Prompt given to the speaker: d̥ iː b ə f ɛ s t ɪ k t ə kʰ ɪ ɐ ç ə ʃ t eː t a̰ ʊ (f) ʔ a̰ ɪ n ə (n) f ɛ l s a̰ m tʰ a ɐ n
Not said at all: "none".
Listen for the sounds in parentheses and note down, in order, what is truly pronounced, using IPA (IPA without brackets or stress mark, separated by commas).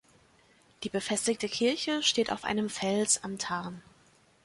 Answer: f, m